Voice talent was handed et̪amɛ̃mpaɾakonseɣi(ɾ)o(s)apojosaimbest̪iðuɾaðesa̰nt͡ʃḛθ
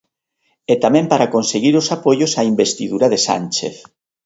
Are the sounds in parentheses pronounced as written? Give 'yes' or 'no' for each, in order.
yes, yes

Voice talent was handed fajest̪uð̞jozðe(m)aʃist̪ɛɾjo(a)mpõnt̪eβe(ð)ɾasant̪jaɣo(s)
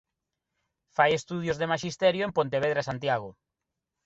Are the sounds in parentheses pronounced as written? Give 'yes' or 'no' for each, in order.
yes, no, yes, no

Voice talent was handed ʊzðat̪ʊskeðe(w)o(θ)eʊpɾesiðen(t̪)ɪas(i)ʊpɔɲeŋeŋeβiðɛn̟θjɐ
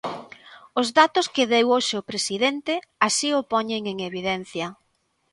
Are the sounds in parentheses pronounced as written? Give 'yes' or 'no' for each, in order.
yes, no, yes, yes

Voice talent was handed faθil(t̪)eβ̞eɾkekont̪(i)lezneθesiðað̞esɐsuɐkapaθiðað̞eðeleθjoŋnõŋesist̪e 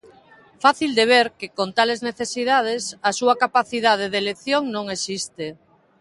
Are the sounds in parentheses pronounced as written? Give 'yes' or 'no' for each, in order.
no, no

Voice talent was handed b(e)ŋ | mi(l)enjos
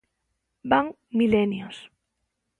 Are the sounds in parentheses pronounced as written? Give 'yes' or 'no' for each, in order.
no, yes

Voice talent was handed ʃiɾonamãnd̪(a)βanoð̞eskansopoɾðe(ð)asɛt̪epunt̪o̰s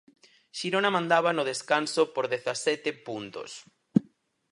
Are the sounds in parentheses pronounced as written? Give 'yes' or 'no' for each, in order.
yes, no

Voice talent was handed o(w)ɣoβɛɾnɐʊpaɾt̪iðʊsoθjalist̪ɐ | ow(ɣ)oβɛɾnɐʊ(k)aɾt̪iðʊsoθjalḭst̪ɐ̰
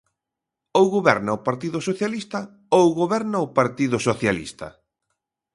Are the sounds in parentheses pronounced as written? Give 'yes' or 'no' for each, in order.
yes, yes, no

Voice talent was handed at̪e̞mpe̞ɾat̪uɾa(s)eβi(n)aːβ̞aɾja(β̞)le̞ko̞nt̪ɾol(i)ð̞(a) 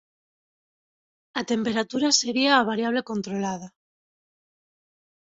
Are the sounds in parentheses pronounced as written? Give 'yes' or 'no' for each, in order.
yes, no, yes, no, yes

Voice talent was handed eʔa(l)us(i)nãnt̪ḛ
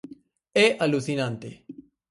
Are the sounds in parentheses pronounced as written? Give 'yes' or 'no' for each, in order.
yes, yes

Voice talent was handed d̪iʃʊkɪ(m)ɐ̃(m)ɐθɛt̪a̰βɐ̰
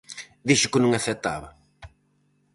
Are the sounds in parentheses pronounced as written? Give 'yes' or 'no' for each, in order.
no, no

